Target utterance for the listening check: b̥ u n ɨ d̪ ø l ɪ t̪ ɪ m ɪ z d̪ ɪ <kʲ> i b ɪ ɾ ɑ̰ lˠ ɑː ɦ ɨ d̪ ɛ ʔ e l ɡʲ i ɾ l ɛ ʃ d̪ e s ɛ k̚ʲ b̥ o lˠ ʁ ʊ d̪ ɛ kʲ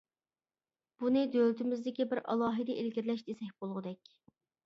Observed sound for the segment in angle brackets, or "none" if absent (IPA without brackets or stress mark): kʲ